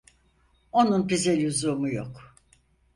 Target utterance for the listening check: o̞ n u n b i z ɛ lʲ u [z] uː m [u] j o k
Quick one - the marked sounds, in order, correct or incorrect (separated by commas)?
correct, correct